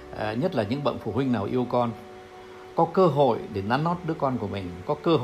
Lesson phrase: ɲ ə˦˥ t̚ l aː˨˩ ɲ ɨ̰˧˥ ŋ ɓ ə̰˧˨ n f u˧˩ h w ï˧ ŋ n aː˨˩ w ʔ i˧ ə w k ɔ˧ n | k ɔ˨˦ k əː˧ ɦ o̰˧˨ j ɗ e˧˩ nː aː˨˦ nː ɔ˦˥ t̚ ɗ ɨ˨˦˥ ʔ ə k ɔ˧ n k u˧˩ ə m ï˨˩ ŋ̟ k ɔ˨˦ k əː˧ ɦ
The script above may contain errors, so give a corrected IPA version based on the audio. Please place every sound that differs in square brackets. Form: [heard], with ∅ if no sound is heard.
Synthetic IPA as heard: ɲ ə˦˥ t̚ l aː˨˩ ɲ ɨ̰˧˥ ŋ ɓ ə̰˧˨ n f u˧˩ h w ï˧ ŋ n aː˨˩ w ʔ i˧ ə w k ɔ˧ n | k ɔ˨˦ k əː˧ ɦ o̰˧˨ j ɗ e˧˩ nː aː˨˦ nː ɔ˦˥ t̚ ɗ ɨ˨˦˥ [∅] ə k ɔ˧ n k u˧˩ ə m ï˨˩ ŋ̟ k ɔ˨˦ k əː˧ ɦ